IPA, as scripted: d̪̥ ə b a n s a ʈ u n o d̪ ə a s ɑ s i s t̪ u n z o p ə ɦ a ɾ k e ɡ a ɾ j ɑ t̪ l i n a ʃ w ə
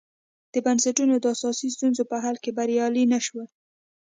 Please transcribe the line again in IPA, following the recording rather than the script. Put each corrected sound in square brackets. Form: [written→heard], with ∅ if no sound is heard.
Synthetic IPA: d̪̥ ə b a n s a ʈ u n o d̪ ə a s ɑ s i s t̪ u n z o p ə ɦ a [ɾ→l] k e [ɡ→b] a ɾ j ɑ [t̪→∅] l i n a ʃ w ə